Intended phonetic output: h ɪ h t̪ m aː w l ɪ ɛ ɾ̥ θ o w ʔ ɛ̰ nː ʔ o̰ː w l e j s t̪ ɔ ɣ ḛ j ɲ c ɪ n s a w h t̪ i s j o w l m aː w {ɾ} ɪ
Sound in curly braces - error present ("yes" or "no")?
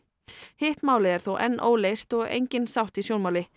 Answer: yes